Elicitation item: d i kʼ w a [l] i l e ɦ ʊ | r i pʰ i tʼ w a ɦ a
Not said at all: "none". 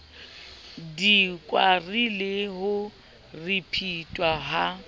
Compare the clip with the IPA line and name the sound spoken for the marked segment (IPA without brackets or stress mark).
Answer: r